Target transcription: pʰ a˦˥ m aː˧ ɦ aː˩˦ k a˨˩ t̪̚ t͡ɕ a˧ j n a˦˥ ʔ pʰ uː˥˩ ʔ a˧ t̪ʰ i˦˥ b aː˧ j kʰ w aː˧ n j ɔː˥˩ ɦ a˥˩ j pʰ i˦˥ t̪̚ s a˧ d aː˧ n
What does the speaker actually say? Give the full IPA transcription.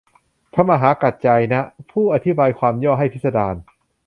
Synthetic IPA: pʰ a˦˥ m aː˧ ɦ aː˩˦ k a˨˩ t̪̚ t͡ɕ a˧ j n a˦˥ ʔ pʰ uː˥˩ ʔ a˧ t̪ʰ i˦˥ b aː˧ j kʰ w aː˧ m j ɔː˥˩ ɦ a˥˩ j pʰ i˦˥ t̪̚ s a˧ d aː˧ n